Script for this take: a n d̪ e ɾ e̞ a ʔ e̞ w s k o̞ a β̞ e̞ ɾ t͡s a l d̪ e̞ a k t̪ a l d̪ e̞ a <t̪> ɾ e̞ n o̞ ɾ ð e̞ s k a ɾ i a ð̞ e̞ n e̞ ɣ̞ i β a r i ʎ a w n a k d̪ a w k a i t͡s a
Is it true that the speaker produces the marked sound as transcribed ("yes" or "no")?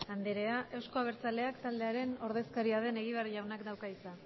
no